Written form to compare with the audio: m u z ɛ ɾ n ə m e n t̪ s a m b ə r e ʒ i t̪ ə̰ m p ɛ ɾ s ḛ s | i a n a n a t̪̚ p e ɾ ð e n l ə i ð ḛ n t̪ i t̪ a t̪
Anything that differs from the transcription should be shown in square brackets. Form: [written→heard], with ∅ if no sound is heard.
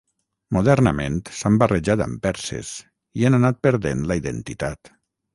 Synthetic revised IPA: m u [z→ð] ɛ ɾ n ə m e n t̪ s a m b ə r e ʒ [i→a] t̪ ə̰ m p ɛ ɾ s ḛ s | i a n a n a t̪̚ p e ɾ ð e n l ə i ð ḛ n t̪ i t̪ a t̪